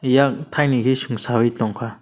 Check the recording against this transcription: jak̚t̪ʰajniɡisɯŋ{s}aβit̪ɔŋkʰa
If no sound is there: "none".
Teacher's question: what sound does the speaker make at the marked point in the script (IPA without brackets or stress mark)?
s